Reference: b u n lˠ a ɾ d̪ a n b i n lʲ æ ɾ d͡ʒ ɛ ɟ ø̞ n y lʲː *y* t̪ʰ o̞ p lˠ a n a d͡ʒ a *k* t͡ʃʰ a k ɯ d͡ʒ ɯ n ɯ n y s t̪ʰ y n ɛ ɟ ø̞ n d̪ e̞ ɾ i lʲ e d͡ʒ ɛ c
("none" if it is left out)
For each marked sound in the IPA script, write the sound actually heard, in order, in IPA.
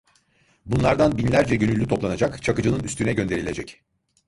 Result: y, k

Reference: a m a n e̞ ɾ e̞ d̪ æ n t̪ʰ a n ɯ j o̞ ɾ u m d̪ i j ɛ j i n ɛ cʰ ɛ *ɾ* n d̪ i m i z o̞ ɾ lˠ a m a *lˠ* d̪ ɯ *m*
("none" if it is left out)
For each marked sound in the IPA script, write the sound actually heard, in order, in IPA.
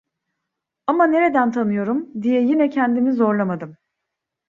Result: none, none, m

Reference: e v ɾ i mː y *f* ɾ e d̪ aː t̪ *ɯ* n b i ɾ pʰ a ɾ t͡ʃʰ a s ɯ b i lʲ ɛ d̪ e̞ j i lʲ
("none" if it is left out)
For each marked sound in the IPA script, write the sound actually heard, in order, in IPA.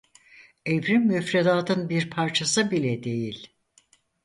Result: f, ɯ

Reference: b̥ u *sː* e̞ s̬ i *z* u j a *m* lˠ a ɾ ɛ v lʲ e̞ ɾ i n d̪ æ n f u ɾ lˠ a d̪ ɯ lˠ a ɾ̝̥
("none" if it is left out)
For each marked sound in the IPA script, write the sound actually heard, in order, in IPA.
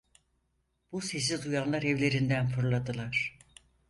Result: s, z, n

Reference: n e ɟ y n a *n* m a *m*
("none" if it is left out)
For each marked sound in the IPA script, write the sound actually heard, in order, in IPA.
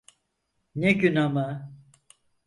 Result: none, none

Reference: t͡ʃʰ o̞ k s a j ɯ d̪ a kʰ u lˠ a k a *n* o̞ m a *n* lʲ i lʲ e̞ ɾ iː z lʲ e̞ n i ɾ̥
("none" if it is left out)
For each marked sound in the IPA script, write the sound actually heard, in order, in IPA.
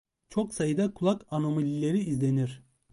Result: n, none

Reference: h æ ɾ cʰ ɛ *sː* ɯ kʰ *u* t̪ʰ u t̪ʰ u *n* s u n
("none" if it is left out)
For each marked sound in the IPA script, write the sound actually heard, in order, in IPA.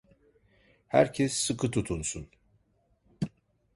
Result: sː, ɯ, n

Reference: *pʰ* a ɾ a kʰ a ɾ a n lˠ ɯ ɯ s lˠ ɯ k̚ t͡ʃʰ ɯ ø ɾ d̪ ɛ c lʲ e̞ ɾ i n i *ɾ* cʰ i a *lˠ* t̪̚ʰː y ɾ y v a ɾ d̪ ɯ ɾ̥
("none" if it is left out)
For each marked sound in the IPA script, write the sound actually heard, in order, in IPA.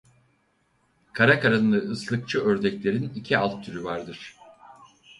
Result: kʰ, none, lˠ

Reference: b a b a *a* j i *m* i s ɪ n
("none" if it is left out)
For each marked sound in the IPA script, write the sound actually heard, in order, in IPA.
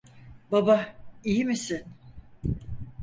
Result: i, m

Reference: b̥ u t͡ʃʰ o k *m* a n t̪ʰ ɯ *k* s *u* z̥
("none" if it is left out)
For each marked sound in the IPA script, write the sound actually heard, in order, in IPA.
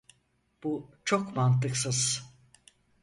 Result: m, k, ɯ

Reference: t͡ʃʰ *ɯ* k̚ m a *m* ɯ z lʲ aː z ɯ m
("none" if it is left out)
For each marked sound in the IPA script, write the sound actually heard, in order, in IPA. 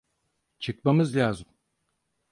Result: ɯ, m

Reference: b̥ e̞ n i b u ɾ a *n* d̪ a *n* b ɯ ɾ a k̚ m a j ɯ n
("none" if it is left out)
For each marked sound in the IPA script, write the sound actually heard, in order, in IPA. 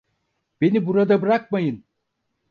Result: none, none

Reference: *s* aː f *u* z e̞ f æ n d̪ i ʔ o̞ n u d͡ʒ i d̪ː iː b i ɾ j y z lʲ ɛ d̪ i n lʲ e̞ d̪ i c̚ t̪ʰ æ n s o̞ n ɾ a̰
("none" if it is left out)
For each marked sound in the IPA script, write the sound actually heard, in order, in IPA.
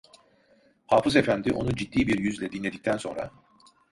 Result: h, ɯ

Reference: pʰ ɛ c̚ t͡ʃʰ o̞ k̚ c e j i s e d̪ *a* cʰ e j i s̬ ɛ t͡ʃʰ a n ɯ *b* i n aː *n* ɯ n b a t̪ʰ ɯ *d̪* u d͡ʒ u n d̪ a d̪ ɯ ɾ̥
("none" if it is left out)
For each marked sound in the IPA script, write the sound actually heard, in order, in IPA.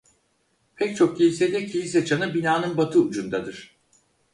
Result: ɛ, b, n, none

